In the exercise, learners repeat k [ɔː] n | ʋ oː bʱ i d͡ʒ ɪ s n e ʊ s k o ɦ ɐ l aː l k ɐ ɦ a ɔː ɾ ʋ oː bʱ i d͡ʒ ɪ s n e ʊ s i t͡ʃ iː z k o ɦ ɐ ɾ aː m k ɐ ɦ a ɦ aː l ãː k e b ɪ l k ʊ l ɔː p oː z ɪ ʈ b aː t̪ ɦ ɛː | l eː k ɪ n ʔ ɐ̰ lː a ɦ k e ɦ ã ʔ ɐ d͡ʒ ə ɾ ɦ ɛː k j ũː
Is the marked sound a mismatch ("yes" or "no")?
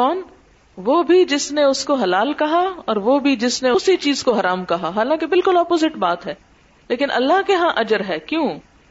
no